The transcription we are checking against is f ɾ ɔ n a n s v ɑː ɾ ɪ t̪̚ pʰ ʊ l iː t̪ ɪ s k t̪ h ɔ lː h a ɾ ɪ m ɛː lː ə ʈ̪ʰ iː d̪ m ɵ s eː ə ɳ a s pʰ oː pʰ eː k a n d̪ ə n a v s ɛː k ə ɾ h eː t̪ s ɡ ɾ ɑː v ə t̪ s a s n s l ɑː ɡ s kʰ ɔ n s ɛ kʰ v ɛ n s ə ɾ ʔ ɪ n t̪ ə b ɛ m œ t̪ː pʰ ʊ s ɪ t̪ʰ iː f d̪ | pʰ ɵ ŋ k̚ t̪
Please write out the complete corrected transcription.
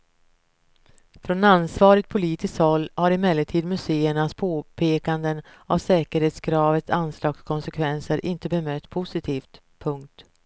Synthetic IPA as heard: f ɾ ɔ n a n s v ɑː ɾ ɪ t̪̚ pʰ ʊ l iː t̪ ɪ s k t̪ h ɔ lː h a ɾ ɪ m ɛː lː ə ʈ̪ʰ iː d̪ m ɵ s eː ə ɳ a s pʰ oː pʰ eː k a n d̪ ə n a v s ɛː k ə ɾ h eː t̪ s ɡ ɾ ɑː v ə t̪ s a n s l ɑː ɡ s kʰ ɔ n s ɛ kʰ v ɛ n s ə ɾ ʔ ɪ n t̪ ə b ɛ m œ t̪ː pʰ ʊ s ɪ t̪ʰ iː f t̪ | pʰ ɵ ŋ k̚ t̪